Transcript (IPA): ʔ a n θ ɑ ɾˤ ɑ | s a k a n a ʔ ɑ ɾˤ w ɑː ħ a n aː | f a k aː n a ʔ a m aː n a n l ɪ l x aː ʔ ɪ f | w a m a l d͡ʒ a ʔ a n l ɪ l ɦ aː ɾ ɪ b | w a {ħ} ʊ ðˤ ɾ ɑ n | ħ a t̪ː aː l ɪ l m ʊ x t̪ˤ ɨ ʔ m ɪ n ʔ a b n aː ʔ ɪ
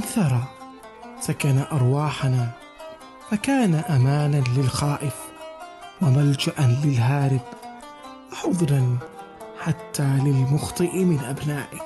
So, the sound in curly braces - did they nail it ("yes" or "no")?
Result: yes